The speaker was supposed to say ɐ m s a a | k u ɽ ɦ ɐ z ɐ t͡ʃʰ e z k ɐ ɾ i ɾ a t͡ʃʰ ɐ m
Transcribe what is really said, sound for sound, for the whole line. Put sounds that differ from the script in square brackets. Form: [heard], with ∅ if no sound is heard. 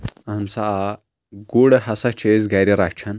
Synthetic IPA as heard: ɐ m s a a | [ɡ] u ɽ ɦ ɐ [s] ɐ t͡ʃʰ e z [ɡ] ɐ ɾ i ɾ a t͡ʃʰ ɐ [n]